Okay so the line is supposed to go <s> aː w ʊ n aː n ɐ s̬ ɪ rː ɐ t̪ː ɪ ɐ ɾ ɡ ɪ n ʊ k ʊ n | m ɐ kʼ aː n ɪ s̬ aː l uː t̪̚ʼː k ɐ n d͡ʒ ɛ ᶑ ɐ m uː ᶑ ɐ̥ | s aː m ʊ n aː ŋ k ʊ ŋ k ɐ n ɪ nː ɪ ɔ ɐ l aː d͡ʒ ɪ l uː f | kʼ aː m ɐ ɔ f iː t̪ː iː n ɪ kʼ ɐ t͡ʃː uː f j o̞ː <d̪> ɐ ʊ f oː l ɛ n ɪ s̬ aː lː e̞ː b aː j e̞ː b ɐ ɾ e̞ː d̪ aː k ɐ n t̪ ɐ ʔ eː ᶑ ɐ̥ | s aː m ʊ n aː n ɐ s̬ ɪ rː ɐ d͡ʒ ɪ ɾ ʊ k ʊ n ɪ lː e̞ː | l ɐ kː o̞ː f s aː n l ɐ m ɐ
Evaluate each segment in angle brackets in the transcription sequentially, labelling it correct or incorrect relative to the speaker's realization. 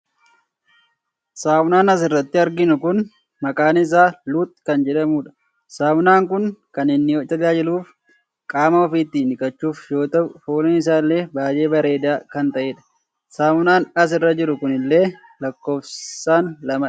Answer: correct, incorrect: t̪

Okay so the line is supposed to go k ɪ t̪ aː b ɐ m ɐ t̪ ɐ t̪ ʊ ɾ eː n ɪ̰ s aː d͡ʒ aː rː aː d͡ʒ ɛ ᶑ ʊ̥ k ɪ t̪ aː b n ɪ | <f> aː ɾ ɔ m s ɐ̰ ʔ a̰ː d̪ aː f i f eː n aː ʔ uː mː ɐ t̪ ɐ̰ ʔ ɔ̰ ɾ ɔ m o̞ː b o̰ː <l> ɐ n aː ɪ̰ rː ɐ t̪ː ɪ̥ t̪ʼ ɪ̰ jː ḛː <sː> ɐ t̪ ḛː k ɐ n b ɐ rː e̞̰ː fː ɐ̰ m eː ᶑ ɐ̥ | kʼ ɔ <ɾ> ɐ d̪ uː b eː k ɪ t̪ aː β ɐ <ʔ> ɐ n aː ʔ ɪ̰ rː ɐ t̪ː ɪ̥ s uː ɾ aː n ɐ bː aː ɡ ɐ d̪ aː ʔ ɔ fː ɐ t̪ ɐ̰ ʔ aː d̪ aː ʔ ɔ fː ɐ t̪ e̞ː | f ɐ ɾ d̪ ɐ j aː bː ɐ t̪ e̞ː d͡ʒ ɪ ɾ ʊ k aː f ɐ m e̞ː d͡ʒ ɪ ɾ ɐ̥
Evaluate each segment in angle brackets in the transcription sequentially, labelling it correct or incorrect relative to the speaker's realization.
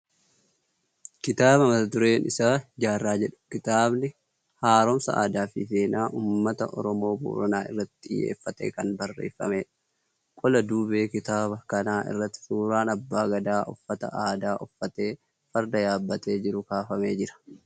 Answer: incorrect: h, incorrect: ɾ, incorrect: fː, incorrect: l, incorrect: k

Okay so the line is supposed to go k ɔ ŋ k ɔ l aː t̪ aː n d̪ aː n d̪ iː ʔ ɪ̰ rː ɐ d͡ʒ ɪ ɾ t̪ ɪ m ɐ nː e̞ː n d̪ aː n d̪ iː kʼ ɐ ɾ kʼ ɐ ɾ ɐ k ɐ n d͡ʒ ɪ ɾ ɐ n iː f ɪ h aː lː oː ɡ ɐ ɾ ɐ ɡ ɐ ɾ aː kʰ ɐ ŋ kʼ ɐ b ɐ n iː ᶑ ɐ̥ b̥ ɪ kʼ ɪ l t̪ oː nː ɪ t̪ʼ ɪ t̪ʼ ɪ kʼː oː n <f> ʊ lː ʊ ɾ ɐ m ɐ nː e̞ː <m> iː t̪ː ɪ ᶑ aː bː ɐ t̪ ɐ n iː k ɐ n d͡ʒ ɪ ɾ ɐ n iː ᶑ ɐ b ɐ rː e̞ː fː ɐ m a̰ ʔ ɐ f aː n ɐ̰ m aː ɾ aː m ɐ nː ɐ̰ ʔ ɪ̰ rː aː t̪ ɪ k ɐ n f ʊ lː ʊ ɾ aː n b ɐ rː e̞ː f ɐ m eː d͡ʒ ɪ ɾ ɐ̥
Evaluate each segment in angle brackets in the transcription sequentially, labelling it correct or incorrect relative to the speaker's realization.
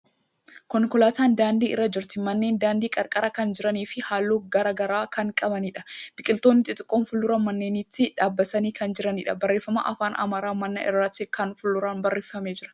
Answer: correct, incorrect: n

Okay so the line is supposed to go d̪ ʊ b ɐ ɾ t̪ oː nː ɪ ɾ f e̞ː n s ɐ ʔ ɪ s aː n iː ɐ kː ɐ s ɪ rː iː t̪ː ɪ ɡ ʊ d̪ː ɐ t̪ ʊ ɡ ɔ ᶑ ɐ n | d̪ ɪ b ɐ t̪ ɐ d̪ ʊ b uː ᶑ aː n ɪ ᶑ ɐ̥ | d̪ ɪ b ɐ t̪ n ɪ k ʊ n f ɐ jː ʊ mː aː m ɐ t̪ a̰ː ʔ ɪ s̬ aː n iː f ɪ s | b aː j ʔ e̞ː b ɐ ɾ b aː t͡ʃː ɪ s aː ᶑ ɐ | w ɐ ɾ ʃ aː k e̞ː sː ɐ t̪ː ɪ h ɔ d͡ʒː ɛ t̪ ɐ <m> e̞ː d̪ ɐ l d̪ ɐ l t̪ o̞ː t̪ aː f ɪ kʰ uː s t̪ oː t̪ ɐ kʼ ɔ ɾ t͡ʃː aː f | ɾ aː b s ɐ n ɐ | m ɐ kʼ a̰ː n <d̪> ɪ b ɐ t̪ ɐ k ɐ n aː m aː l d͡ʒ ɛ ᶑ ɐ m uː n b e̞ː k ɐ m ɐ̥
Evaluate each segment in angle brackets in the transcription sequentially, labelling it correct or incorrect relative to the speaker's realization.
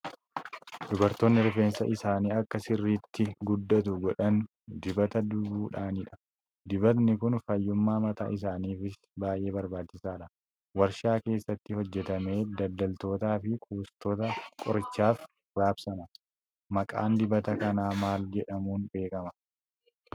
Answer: correct, correct

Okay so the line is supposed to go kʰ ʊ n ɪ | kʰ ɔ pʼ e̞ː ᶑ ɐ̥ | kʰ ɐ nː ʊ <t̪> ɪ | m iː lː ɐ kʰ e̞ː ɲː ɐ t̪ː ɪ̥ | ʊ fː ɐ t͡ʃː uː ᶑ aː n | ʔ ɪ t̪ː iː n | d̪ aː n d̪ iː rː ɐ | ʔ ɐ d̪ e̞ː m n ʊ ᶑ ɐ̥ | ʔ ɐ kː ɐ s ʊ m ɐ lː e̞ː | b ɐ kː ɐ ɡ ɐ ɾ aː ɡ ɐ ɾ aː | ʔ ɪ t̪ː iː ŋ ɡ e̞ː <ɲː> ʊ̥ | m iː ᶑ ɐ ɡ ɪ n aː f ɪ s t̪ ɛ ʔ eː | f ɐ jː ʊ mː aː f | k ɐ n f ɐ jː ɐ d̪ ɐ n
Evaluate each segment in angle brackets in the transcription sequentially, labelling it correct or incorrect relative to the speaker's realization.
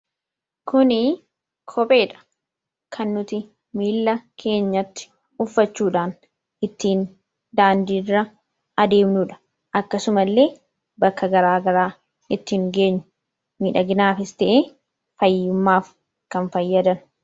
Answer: correct, correct

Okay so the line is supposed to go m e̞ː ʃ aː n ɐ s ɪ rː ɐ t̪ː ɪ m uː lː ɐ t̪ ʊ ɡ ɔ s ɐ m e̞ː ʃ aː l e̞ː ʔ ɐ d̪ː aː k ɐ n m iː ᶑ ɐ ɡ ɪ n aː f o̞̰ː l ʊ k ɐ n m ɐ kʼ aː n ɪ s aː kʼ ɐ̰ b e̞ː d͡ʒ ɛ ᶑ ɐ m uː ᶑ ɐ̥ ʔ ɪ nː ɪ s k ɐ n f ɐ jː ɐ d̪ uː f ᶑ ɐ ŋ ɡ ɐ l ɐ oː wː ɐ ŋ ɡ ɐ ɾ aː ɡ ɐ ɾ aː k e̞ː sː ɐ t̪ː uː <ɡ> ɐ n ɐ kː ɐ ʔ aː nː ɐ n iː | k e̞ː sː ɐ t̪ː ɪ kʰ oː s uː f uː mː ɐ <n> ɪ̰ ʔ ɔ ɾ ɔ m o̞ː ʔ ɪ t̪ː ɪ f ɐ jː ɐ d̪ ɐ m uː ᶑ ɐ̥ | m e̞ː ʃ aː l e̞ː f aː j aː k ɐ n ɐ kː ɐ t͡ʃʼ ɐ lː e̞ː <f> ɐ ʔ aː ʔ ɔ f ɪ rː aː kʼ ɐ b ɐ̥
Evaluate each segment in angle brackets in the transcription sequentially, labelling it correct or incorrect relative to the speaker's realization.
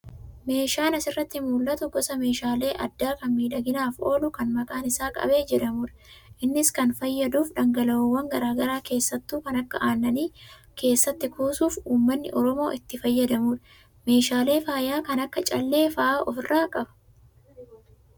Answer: incorrect: k, incorrect: nː, correct

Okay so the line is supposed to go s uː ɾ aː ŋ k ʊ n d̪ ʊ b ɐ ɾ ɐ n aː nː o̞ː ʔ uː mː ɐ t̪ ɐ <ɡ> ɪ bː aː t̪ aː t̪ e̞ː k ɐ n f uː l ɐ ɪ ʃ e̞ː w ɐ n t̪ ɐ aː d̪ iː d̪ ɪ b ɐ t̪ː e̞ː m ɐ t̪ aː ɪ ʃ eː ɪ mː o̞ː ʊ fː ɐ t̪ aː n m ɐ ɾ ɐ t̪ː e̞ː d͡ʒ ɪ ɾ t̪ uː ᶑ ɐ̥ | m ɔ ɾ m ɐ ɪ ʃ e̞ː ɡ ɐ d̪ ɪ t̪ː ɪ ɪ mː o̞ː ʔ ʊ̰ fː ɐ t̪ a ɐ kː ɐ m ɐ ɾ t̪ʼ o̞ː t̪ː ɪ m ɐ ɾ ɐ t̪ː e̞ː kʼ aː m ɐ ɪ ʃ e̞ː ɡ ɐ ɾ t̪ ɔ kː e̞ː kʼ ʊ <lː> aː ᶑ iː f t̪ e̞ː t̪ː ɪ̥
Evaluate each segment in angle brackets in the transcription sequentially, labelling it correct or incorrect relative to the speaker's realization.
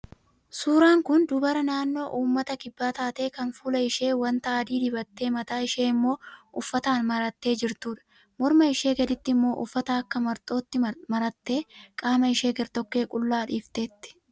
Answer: incorrect: k, correct

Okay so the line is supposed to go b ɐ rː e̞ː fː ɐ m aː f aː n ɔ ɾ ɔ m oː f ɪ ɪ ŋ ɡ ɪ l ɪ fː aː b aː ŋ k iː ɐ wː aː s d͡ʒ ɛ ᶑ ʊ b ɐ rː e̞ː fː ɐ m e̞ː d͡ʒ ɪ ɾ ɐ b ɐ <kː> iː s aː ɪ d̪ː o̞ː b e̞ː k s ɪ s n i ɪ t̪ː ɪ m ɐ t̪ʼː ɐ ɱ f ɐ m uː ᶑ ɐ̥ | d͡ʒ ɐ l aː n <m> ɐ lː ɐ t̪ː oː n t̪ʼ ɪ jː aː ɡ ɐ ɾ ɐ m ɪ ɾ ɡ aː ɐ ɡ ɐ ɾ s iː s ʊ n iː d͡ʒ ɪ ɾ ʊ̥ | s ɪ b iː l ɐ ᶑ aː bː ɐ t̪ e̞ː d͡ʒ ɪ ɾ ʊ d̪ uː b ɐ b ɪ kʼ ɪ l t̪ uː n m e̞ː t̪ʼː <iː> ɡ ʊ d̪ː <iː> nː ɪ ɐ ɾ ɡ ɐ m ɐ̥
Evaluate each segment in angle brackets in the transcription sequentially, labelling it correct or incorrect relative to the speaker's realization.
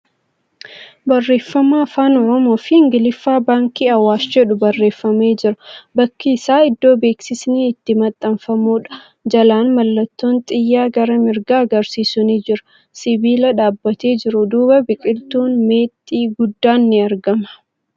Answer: correct, correct, correct, incorrect: aː

